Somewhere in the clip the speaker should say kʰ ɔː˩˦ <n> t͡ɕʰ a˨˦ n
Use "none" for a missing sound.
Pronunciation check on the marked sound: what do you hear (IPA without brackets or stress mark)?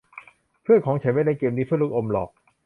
ŋ